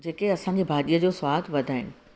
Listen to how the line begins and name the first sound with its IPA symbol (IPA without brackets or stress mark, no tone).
d͡ʑ